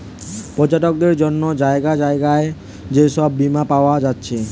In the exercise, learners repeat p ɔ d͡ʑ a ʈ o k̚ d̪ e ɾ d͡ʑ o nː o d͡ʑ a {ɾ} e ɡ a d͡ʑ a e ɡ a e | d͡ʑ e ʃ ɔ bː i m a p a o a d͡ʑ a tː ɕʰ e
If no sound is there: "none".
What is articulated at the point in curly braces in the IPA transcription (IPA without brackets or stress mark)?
none